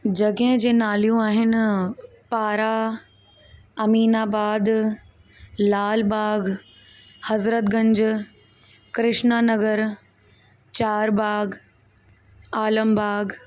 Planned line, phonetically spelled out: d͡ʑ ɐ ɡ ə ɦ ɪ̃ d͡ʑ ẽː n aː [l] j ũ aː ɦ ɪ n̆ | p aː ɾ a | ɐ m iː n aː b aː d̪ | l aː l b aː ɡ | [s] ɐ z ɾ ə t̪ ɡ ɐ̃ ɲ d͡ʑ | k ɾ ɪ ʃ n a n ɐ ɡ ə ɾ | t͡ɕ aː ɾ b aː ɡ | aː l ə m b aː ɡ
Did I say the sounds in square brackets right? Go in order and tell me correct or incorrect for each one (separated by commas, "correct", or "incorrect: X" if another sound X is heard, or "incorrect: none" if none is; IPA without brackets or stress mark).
correct, incorrect: h